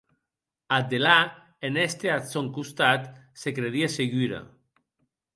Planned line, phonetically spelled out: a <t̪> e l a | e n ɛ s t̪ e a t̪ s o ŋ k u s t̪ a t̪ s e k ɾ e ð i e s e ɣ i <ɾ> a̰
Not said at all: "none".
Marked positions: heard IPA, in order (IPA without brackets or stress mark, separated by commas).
d̪, ɾ